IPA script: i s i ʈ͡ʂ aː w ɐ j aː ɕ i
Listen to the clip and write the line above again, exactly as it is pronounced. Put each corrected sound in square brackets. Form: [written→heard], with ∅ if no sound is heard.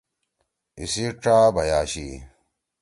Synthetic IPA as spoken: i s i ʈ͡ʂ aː [w→b] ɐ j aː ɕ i